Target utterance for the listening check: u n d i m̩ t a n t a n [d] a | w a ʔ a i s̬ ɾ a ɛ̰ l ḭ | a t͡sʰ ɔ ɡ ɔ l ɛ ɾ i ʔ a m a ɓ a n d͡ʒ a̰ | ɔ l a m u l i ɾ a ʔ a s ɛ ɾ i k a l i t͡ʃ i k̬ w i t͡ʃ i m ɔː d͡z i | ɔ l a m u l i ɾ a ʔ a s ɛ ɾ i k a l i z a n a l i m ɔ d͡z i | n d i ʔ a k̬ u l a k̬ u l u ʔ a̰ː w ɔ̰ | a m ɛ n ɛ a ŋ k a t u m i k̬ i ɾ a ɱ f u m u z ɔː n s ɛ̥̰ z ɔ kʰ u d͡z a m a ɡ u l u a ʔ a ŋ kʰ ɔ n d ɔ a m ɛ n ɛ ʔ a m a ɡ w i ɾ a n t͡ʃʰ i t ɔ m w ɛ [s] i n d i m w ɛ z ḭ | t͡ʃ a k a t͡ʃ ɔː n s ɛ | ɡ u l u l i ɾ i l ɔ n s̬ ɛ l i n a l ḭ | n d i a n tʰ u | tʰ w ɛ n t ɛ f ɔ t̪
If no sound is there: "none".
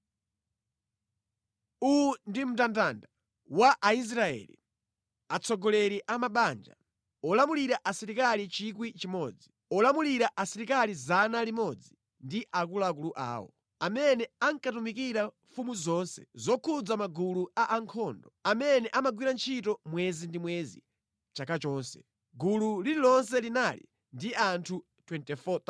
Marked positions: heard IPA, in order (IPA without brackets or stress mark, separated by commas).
d, z